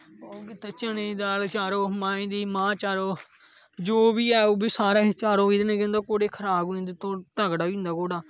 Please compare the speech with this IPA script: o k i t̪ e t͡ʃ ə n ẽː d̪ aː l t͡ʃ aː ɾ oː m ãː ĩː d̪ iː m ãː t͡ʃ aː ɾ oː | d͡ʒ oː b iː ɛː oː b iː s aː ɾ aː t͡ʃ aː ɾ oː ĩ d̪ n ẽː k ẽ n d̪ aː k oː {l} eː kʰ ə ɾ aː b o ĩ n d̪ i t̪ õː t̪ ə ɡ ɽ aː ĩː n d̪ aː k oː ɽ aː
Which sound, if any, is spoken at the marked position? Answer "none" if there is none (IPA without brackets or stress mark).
ɽ